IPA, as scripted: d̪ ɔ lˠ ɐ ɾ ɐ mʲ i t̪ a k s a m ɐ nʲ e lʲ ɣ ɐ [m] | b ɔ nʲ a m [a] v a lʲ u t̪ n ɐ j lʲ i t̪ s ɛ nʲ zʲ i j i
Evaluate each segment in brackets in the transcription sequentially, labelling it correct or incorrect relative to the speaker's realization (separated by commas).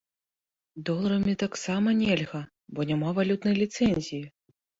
incorrect, correct